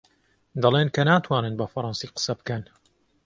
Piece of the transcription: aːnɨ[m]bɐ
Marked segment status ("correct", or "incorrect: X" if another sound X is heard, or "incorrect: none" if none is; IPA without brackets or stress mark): incorrect: n